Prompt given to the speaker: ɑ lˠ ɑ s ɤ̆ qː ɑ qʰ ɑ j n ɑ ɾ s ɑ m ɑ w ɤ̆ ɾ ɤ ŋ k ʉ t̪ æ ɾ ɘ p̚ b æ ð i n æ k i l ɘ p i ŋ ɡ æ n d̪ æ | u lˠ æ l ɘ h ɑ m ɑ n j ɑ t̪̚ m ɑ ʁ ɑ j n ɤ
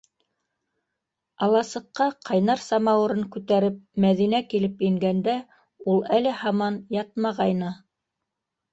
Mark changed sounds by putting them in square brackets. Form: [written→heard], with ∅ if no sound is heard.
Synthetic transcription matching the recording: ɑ lˠ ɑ s ɤ̆ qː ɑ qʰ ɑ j n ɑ ɾ s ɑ m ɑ w ɤ̆ ɾ ɤ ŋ k ʉ t̪ æ ɾ ɘ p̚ [b→m] æ ð i n æ k i l ɘ p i ŋ ɡ æ n d̪ æ | u lˠ æ l ɘ h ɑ m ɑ n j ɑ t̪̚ m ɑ ʁ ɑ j n ɤ

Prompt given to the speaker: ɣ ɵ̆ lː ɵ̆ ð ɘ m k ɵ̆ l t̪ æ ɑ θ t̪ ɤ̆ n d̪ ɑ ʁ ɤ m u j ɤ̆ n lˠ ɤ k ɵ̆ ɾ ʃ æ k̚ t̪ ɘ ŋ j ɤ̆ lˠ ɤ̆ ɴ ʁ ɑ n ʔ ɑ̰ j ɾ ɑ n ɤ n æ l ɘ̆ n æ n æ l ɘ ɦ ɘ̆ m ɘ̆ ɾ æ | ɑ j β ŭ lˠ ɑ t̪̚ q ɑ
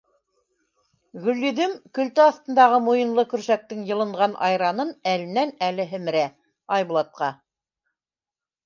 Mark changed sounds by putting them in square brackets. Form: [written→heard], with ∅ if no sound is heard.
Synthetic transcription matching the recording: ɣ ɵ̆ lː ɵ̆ ð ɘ m k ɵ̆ l t̪ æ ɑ θ t̪ ɤ̆ n d̪ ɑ ʁ ɤ m u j ɤ̆ n lˠ ɤ k ɵ̆ ɾ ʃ æ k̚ t̪ ɘ ŋ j ɤ̆ lˠ ɤ̆ ɴ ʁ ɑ n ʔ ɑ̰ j ɾ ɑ n ɤ n æ l ɘ̆ n æ n æ l ɘ ɦ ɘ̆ m ɘ̆ ɾ æ | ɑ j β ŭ lˠ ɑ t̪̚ q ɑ

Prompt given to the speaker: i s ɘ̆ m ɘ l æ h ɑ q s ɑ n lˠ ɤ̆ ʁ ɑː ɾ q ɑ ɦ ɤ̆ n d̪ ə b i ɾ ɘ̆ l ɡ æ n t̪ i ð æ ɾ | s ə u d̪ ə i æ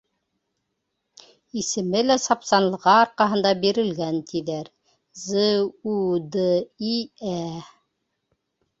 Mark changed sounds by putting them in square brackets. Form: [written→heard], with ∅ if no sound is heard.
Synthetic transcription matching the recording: i s ɘ̆ m ɘ l æ [h→s] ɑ [q→p] s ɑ n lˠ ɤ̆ ʁ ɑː ɾ q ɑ ɦ ɤ̆ n d̪ [ə→ɑ] b i ɾ ɘ̆ l ɡ æ n t̪ i ð æ ɾ | [s→z] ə u d̪ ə i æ

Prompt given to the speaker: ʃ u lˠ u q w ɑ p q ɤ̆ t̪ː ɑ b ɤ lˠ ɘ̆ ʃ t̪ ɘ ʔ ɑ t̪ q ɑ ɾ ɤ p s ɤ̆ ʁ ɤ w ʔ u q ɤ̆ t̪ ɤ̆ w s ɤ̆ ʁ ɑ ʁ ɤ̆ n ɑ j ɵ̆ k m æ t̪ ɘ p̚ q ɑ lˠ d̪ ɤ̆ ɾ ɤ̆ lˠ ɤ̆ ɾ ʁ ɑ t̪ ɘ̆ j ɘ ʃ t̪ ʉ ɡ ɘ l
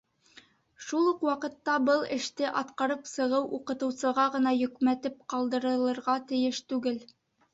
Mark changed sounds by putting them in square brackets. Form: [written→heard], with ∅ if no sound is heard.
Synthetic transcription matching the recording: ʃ u lˠ u q w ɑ [p→∅] q ɤ̆ t̪ː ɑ b ɤ lˠ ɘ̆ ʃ t̪ ɘ ʔ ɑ t̪ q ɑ ɾ ɤ p s ɤ̆ ʁ ɤ w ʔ u q ɤ̆ t̪ ɤ̆ w s ɤ̆ ʁ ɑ ʁ ɤ̆ n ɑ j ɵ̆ k m æ t̪ ɘ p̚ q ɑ lˠ d̪ ɤ̆ ɾ ɤ̆ lˠ ɤ̆ ɾ ʁ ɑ t̪ ɘ̆ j ɘ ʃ t̪ ʉ ɡ ɘ l

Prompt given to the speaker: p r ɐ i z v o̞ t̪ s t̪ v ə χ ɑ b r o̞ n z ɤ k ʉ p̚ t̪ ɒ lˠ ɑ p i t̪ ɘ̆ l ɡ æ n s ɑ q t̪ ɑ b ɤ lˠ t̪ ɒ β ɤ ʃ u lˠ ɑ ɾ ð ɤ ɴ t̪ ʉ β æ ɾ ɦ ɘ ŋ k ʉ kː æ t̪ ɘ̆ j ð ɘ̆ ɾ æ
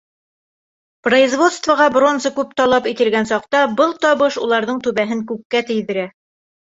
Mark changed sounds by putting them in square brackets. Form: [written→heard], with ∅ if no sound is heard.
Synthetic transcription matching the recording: p r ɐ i z v o̞ t̪ s t̪ v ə [χ→ʁ] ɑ b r o̞ n z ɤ k ʉ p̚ t̪ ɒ lˠ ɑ p i t̪ ɘ̆ l ɡ æ n s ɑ q t̪ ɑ b ɤ lˠ t̪ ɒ β ɤ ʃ u lˠ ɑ ɾ ð ɤ ɴ t̪ ʉ β æ [ɾ→∅] ɦ ɘ ŋ k ʉ kː æ t̪ ɘ̆ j ð ɘ̆ ɾ æ

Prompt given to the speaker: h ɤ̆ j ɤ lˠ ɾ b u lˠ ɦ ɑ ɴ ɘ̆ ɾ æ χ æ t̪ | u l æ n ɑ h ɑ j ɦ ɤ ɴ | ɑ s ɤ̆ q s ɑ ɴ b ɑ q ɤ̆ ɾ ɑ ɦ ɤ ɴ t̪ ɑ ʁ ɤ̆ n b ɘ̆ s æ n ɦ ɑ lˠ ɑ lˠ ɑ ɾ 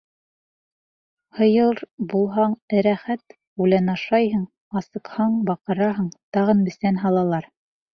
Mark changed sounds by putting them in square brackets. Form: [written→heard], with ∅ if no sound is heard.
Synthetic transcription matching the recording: h ɤ̆ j ɤ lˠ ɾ b u lˠ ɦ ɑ ɴ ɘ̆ ɾ æ χ æ t̪ | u l æ n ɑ [h→ʃ] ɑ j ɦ ɤ ɴ | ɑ s ɤ̆ q [s→h] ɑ ɴ b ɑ q ɤ̆ ɾ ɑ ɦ ɤ ɴ t̪ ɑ ʁ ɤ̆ n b ɘ̆ s æ n ɦ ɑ lˠ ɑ lˠ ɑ ɾ

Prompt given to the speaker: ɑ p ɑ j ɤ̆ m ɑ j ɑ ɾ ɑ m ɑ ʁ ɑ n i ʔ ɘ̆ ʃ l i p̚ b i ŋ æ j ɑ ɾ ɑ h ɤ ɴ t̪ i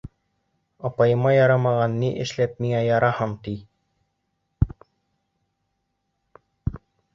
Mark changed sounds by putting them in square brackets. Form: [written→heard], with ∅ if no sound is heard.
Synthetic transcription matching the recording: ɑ p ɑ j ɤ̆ m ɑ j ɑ ɾ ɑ m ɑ ʁ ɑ [n→nː] i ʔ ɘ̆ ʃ l [i→æ] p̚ [b→m] i ŋ æ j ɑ ɾ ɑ h ɤ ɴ t̪ i

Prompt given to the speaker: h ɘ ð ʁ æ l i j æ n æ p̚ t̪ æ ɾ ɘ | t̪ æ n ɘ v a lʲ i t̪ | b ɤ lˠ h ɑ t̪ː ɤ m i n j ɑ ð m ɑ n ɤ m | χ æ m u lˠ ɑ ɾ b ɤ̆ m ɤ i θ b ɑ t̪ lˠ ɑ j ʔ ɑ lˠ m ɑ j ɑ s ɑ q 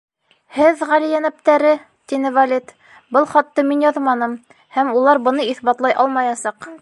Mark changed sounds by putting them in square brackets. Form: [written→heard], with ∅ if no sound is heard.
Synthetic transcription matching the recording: h ɘ ð ʁ æ l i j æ n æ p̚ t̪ æ ɾ ɘ | t̪ [æ→i] n ɘ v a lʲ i t̪ | b ɤ lˠ [h→χ] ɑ t̪ː ɤ m i n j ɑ ð m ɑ n ɤ m | [χ→h] æ m u lˠ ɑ ɾ b ɤ̆ [m→n] ɤ i θ b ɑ t̪ lˠ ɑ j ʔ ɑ lˠ m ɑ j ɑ s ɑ q

